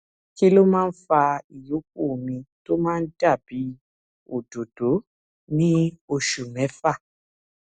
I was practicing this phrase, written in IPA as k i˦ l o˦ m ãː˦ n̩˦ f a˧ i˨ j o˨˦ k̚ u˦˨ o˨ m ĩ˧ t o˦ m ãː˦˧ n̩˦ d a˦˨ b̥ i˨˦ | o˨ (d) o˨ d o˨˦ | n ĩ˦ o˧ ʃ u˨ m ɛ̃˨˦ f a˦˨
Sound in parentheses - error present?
no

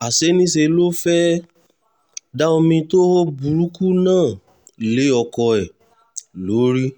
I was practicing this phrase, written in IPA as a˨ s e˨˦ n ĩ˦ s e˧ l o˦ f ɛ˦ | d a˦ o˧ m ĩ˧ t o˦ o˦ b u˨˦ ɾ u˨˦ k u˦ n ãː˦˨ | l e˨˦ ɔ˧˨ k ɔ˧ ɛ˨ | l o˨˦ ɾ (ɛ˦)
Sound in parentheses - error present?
yes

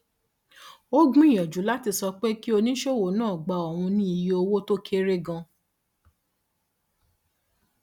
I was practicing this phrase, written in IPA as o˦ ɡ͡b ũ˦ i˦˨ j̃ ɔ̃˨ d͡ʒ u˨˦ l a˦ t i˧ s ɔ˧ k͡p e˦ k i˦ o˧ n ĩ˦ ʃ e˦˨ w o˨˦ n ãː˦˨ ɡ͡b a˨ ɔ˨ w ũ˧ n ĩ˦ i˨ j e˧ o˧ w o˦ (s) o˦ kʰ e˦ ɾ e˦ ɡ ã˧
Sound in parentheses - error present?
yes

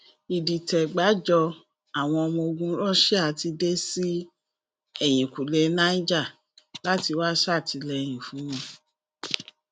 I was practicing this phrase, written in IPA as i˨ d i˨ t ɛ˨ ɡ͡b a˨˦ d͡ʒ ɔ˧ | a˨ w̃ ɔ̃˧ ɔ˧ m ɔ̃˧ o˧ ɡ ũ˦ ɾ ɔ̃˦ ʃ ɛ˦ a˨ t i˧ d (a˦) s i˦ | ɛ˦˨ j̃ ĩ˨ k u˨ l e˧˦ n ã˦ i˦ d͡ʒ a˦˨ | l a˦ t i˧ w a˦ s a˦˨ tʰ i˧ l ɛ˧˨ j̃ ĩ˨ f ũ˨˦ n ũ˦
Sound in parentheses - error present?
yes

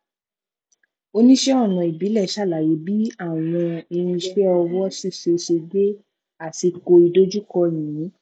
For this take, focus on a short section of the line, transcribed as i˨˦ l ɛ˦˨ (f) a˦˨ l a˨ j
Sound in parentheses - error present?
yes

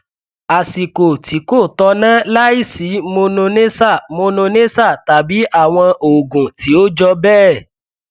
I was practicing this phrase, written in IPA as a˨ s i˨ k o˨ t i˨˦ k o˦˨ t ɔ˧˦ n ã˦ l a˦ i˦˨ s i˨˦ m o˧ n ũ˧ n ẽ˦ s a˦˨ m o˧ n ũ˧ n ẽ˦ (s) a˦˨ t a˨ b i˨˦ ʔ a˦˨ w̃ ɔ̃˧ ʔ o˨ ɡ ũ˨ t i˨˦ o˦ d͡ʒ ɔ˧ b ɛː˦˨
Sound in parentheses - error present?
no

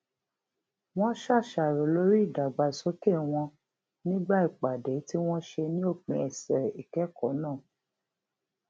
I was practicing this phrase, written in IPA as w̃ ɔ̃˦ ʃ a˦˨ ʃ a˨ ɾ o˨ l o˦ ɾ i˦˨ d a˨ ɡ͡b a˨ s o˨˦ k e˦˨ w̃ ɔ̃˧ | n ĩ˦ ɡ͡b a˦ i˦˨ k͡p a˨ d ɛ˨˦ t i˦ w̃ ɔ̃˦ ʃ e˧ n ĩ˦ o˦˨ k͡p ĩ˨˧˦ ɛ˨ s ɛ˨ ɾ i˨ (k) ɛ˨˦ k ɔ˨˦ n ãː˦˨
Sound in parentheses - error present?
no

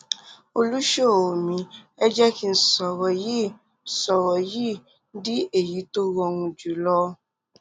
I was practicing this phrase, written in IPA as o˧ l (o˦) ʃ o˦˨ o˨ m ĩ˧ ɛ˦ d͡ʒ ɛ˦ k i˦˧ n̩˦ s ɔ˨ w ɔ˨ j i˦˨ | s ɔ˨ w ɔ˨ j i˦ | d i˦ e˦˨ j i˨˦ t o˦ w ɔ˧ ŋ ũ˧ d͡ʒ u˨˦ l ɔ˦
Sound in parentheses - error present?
yes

